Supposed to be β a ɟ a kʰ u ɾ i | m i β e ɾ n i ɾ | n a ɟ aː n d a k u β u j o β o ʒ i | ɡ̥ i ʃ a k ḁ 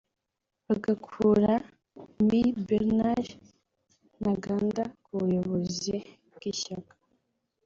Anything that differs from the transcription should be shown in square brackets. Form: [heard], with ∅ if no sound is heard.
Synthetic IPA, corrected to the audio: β a [ɡ] a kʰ u ɾ [a] | m i [b] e ɾ n [a] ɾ | n a [ɡ] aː n d a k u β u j o β o [z] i | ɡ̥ i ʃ a k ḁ